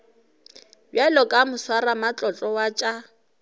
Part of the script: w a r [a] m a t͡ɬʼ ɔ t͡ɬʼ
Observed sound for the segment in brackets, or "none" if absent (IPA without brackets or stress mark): a